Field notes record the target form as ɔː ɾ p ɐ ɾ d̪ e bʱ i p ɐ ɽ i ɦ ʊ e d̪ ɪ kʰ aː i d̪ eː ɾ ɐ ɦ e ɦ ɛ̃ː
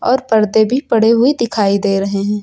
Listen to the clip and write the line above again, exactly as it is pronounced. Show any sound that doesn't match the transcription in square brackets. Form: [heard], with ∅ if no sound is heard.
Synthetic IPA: ɔː ɾ p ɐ ɾ d̪ e bʱ i p ɐ ɽ [e] ɦ ʊ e d̪ ɪ kʰ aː i d̪ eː ɾ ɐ ɦ e ɦ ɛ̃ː